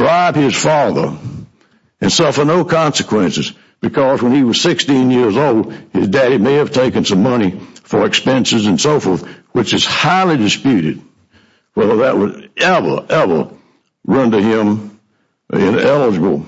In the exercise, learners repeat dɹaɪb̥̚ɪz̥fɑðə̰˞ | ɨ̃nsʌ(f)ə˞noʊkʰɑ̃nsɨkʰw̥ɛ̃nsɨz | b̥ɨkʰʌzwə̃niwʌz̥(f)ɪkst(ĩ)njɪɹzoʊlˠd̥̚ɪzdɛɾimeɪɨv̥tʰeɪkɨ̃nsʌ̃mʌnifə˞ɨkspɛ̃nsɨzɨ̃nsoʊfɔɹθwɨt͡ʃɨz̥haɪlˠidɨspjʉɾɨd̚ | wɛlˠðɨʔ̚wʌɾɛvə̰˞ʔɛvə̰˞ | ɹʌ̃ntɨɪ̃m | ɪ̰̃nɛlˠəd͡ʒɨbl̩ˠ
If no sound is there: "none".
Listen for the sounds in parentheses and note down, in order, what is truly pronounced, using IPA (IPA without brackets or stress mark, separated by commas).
f, s, ĩ